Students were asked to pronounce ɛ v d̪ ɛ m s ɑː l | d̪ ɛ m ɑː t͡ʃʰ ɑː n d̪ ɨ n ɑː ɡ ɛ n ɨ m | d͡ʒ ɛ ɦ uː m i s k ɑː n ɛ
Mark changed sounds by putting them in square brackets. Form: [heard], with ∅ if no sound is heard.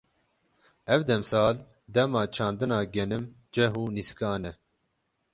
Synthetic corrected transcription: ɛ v d̪ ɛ m s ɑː l | d̪ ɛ m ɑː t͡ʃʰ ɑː n d̪ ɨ n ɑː ɡ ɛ n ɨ m | d͡ʒ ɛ ɦ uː [n] i s k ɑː n ɛ